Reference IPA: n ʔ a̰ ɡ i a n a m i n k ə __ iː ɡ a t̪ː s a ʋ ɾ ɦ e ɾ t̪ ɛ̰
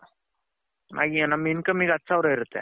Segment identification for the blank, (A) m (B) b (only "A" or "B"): A